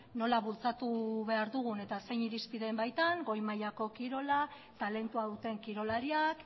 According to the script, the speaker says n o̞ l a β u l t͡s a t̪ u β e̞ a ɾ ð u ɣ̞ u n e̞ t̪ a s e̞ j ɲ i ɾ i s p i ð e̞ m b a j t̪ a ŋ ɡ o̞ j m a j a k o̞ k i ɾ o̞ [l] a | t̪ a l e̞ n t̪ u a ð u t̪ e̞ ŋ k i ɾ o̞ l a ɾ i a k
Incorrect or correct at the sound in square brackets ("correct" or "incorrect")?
correct